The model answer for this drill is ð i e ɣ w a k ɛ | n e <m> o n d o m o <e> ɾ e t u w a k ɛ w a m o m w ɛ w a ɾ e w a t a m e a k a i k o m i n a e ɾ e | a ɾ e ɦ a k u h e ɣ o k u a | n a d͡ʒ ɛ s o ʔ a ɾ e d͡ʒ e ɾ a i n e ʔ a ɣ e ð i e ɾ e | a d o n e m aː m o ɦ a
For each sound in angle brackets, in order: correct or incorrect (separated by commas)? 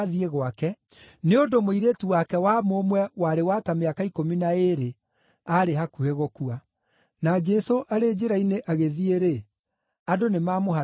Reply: incorrect, incorrect